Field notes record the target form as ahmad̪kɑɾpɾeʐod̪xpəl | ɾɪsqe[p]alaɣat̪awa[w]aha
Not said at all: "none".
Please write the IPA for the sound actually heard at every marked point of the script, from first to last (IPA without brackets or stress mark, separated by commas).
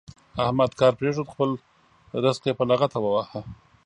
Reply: p, w